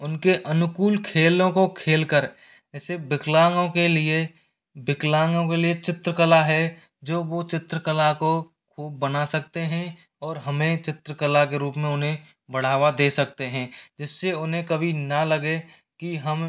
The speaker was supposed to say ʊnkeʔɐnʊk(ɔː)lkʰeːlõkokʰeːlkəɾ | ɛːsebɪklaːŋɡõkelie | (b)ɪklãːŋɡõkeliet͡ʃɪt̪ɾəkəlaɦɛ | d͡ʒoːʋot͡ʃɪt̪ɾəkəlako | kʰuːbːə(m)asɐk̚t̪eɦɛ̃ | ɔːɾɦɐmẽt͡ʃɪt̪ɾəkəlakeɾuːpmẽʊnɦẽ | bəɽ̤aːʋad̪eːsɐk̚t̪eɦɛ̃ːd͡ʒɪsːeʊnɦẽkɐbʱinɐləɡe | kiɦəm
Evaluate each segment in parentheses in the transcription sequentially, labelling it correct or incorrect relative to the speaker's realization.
incorrect: uː, correct, incorrect: n

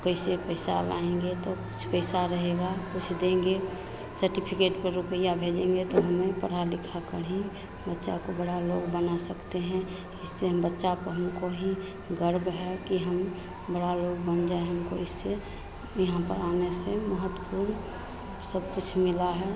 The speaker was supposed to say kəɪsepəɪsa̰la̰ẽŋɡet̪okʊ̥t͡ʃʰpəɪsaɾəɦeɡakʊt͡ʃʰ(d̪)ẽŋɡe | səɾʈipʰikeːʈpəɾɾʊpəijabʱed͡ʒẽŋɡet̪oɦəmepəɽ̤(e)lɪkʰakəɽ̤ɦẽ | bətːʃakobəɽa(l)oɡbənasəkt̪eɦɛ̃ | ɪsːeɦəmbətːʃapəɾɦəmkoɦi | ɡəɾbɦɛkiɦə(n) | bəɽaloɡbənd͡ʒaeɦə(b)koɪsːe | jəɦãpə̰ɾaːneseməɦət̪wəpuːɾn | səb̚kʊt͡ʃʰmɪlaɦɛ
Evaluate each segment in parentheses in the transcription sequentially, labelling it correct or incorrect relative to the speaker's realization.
correct, incorrect: a, correct, incorrect: m, incorrect: m

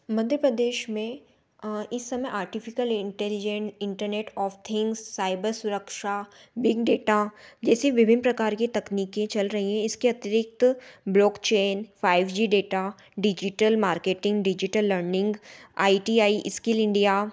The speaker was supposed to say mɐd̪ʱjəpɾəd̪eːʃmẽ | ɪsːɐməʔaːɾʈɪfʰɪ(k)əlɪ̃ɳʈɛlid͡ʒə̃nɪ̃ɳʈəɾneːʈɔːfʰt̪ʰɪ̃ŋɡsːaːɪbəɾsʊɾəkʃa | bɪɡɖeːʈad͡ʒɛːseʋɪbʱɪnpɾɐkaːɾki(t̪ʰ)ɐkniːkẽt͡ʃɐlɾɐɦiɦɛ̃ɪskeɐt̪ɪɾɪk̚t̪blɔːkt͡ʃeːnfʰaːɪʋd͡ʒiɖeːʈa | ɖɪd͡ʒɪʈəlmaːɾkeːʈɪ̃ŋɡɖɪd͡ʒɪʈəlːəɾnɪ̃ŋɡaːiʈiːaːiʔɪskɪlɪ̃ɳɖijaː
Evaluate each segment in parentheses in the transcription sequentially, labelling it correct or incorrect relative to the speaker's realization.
correct, incorrect: t̪

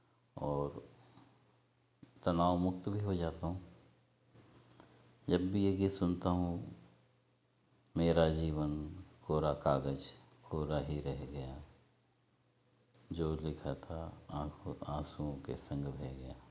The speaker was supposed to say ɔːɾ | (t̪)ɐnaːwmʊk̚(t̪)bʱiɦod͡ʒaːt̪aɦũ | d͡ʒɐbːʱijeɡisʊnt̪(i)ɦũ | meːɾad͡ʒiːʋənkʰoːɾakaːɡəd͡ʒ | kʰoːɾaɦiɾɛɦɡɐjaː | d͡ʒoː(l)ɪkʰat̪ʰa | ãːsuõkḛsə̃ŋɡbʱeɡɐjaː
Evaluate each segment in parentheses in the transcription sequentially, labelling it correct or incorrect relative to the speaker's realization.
correct, correct, incorrect: a, correct

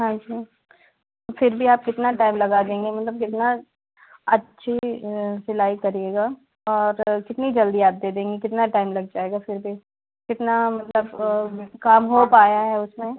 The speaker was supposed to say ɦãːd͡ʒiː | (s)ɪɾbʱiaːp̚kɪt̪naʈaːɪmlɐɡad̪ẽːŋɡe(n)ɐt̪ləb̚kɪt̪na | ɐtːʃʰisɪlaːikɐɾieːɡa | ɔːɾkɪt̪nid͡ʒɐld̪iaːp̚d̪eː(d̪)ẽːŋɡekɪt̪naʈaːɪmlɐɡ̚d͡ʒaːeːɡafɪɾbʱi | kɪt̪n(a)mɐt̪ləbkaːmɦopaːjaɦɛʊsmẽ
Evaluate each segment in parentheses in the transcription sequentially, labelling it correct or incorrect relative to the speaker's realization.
incorrect: f, incorrect: m, correct, correct

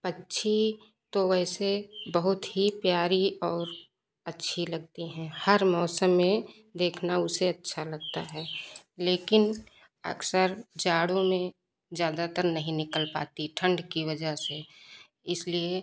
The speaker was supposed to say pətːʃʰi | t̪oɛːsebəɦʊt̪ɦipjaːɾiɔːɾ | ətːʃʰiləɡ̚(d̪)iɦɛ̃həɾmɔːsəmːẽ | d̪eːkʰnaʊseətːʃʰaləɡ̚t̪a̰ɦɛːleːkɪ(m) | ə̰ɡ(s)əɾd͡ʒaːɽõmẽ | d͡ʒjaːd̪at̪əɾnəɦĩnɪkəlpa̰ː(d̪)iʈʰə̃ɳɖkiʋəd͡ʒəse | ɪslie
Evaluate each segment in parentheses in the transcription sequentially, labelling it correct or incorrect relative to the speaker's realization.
incorrect: t̪, incorrect: n, correct, incorrect: t̪

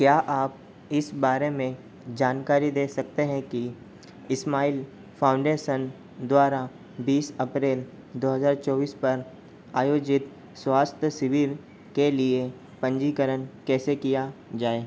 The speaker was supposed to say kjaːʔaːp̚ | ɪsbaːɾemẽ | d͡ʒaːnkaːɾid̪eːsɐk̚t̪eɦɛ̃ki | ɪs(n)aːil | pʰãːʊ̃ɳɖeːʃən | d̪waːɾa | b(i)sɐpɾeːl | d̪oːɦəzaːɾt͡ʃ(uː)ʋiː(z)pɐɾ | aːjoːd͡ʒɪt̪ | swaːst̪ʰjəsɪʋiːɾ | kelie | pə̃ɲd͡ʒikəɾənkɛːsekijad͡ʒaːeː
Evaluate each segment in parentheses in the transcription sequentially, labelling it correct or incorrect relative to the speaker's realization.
incorrect: m, incorrect: iː, incorrect: ɔː, incorrect: s

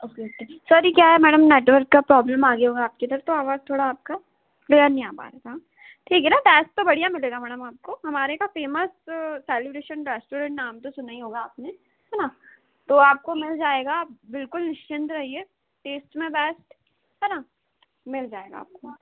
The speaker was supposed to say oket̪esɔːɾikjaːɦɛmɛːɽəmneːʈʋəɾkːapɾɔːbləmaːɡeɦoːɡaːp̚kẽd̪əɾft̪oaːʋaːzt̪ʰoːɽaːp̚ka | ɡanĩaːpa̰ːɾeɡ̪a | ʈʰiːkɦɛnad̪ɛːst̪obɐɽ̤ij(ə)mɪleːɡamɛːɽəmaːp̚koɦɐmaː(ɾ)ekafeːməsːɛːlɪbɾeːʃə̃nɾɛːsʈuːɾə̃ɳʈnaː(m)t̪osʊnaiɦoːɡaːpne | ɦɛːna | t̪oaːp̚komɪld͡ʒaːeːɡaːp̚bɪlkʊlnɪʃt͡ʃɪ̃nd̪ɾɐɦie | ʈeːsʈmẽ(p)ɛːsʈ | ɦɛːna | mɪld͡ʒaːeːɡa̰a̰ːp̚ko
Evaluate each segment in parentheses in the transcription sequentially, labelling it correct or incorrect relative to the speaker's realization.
incorrect: a, correct, correct, incorrect: b

